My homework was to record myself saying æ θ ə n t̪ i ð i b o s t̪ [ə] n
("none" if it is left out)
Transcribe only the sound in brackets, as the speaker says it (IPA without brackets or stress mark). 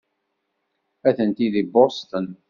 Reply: ə